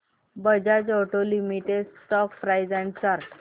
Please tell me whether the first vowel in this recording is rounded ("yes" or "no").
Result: no